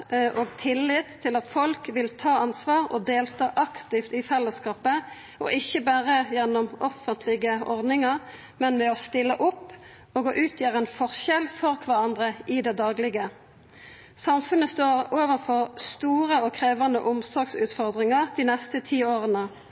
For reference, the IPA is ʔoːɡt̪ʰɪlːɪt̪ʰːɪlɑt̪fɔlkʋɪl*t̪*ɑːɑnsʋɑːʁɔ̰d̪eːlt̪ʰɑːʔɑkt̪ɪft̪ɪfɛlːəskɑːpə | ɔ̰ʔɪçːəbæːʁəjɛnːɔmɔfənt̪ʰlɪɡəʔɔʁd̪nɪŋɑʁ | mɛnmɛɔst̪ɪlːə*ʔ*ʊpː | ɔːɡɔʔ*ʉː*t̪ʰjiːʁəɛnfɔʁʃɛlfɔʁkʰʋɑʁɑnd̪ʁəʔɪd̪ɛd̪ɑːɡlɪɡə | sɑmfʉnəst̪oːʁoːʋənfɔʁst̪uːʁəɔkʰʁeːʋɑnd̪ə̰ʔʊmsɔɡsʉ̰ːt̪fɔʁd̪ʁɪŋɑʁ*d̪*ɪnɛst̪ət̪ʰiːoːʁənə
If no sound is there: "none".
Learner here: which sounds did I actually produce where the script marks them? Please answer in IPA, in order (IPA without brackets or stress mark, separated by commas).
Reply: t̪ʰ, ʔ, ʉː, d̪